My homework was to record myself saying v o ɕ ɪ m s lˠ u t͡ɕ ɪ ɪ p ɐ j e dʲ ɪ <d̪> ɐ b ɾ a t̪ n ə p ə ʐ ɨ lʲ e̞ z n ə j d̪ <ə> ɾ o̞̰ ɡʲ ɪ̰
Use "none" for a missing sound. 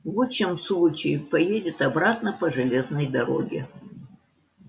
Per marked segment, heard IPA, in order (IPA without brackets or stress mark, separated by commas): t̪, ɐ